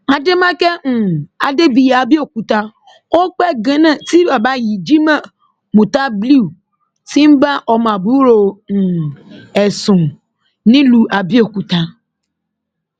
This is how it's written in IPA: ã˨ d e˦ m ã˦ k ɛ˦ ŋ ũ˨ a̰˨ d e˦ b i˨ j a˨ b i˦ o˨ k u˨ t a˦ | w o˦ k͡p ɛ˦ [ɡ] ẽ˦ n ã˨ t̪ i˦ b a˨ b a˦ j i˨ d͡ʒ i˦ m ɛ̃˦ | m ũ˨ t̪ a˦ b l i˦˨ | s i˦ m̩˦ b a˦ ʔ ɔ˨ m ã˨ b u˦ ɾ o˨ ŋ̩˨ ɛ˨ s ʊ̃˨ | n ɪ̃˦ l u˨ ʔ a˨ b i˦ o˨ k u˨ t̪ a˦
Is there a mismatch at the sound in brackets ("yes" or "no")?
no